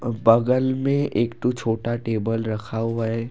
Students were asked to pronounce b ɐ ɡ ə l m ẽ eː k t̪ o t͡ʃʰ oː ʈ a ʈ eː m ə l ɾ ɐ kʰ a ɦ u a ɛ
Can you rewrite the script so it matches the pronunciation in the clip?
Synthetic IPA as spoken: b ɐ ɡ ə l m ẽ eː k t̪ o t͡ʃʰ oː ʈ a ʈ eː b ə l ɾ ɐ kʰ a ɦ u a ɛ